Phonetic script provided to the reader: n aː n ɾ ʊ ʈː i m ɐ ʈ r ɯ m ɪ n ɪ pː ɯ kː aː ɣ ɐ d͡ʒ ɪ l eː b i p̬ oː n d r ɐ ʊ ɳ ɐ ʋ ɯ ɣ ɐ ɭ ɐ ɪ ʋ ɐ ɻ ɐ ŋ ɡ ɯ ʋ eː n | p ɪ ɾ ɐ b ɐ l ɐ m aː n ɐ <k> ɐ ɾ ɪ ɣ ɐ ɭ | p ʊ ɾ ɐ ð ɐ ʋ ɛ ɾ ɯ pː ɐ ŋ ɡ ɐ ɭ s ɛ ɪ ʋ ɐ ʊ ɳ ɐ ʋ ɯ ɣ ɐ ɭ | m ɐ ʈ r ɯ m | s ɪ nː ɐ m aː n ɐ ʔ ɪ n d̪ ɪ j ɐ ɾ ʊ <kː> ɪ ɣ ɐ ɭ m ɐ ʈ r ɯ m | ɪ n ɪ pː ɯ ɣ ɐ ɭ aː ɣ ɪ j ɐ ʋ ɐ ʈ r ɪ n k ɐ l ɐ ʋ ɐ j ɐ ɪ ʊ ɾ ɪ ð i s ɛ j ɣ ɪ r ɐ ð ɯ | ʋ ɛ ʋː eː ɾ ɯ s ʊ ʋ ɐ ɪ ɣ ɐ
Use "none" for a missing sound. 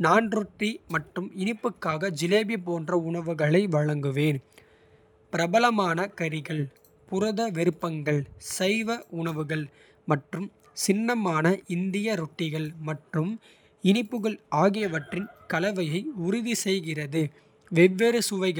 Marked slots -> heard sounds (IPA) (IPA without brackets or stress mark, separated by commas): k, ʈː